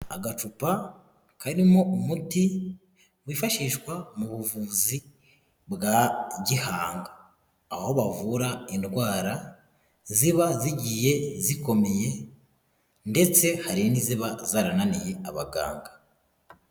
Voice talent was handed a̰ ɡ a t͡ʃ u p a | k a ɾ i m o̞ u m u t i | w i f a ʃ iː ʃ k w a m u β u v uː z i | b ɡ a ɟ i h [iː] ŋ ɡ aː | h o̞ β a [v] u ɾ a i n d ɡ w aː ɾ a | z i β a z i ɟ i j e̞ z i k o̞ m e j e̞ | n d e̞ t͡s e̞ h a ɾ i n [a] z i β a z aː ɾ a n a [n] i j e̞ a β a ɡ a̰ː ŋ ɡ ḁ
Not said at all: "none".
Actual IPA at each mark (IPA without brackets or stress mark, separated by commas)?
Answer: aː, v, i, n